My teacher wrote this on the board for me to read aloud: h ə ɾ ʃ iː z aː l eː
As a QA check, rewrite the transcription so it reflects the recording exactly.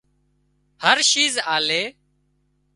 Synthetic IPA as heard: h ə ɾ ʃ iː z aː l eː